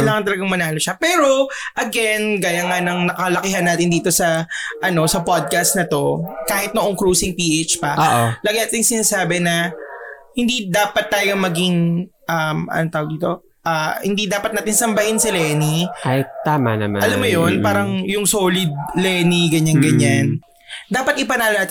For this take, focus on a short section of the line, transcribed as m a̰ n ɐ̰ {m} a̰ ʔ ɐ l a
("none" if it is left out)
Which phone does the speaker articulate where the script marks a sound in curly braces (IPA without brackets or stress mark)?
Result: m